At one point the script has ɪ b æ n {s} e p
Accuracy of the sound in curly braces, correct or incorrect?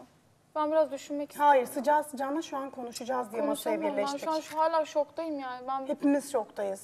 incorrect